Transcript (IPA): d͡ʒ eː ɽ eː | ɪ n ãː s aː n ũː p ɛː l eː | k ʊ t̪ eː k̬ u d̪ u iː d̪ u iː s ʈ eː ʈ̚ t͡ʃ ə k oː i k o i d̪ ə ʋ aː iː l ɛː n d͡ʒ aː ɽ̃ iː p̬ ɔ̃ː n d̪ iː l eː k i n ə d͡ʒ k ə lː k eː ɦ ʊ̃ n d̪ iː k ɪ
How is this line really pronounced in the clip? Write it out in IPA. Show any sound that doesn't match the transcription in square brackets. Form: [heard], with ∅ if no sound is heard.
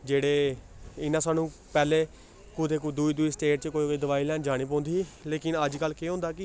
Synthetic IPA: d͡ʒ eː ɽ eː | ɪ n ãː s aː n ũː p ɛː l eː | k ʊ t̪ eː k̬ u d̪ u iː d̪ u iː s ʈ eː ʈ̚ t͡ʃ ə k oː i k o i d̪ ə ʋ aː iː l ɛː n d͡ʒ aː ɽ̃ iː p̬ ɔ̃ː n d̪ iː l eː k [ɪ] n ə d͡ʒ k ə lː k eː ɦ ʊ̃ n d̪ [aː] k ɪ